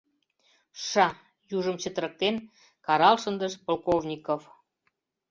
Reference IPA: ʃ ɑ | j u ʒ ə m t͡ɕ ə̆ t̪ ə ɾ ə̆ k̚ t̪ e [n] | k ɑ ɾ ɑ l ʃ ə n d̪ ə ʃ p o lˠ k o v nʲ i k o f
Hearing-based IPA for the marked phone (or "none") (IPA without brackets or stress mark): n